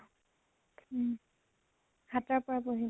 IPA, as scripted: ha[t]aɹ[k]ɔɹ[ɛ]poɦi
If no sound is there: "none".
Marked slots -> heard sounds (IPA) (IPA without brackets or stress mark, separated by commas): t, p, a